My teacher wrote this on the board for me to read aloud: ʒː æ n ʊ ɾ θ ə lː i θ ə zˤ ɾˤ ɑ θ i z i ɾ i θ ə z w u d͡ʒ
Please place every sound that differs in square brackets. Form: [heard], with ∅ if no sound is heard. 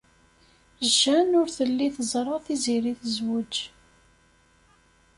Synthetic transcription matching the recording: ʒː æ n ʊ ɾ θ ə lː i θ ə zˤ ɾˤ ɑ θ i z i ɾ i θ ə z w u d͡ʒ